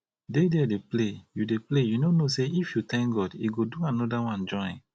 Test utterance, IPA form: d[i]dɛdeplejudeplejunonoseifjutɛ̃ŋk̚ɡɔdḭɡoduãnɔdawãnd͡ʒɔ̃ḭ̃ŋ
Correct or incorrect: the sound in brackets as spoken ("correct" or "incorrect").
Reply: incorrect